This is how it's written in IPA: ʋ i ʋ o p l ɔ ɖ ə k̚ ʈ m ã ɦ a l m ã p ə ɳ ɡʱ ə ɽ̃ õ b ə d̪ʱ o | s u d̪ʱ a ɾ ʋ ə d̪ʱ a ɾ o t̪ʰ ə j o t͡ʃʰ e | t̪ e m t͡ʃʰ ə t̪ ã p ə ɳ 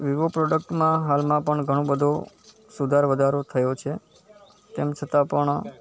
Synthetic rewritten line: ʋ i ʋ o p ɾ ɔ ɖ ə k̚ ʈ m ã ɦ a l m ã p ə ɳ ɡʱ ə ɽ̃ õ b ə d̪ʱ o | s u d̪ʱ a ɾ ʋ ə d̪ʱ a ɾ o t̪ʰ ə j o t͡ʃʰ e | t̪ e m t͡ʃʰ ə t̪ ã p ə ɳ